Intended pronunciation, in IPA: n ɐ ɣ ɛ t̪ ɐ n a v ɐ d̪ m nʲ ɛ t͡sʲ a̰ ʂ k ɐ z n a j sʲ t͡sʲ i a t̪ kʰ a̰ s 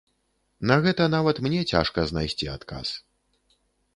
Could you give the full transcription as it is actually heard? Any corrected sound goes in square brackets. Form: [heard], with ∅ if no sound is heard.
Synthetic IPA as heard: n ɐ ɣ ɛ t̪ ɐ n a v ɐ [t̪] m nʲ ɛ t͡sʲ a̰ ʂ k ɐ z n a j sʲ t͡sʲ i a t̪ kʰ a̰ s